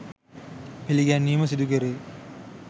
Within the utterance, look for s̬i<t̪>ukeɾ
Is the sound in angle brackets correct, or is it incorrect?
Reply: incorrect